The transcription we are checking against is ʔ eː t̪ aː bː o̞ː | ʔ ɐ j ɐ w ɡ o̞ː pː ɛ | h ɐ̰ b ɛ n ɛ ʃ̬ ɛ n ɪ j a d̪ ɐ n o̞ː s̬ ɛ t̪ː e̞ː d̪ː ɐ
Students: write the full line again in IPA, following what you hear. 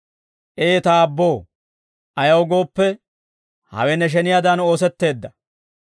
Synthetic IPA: ʔ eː t̪ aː bː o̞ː | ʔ ɐ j ɐ w ɡ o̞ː pː ɛ | h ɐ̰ w ɛ n ɛ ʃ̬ ɛ n ɪ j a d̪ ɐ n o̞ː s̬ ɛ t̪ː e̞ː d̪ː ɐ